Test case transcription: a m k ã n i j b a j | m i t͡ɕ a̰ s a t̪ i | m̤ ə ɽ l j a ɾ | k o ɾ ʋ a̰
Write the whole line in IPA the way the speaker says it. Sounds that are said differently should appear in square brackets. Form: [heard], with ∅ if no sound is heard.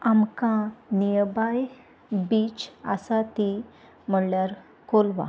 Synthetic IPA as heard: a m k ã n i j b a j | [b] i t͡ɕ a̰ s a t̪ i | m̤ ə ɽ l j a ɾ | k o [l] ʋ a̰